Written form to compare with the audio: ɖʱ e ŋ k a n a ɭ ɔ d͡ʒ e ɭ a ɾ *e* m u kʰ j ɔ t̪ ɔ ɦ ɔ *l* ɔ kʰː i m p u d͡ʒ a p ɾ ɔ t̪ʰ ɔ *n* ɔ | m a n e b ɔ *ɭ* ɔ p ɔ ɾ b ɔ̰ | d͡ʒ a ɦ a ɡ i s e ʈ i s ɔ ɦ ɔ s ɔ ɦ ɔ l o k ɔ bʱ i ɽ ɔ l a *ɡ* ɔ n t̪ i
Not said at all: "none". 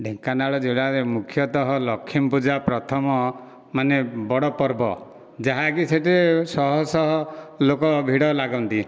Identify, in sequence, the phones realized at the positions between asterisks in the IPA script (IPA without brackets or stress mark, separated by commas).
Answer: e, l, m, ɽ, ɡ